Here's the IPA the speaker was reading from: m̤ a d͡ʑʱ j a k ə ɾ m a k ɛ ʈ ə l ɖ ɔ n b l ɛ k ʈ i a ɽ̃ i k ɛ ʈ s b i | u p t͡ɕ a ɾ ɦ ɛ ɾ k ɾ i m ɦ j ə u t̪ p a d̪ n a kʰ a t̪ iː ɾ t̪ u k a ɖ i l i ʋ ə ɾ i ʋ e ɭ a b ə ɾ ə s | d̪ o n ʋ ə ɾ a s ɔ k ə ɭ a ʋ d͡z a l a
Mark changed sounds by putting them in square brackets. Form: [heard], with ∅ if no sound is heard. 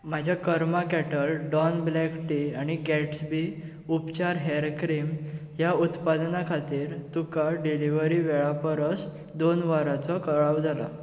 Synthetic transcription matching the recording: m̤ a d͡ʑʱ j a k ə ɾ m a k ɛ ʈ ə l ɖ ɔ n b l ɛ k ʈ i a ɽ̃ i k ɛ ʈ s b i | u p t͡ɕ a ɾ ɦ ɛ ɾ k ɾ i m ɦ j [a] u t̪ p a d̪ n a kʰ a t̪ iː ɾ t̪ u k a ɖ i l i ʋ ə ɾ i ʋ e ɭ a [p] ə ɾ ə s | d̪ o n ʋ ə ɾ a [t͡s] ɔ k ə ɭ a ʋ d͡z a l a